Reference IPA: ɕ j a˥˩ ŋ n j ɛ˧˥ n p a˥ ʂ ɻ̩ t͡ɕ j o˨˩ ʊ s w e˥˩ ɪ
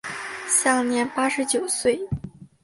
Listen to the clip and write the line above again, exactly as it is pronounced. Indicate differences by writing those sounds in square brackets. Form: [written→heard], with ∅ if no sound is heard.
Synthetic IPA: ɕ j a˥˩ ŋ n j ɛ˧˥ n p a˥ ʂ ɻ̩ t͡ɕ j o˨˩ ʊ s w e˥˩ ɪ